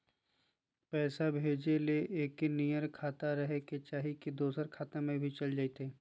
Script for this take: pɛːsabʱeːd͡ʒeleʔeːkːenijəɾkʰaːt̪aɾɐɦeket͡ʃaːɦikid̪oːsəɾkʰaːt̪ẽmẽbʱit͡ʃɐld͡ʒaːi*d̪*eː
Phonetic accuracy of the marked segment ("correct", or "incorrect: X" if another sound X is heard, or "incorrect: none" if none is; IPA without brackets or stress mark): incorrect: t̪